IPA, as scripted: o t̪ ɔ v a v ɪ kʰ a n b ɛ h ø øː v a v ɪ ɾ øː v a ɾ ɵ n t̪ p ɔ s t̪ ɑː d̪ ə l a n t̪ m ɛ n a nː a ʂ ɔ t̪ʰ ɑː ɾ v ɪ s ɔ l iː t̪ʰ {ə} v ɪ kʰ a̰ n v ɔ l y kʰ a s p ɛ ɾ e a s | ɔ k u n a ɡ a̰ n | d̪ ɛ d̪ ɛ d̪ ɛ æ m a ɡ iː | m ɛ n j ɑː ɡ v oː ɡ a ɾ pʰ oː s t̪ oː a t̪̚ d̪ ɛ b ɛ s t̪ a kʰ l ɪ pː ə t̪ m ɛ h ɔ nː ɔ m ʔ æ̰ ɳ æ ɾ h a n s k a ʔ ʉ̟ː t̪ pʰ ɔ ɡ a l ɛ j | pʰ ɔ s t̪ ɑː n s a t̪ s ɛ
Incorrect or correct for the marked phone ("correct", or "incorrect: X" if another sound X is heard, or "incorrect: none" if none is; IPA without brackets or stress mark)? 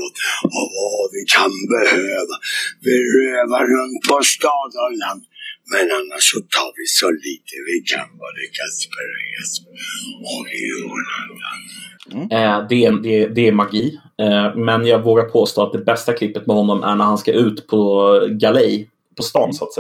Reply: correct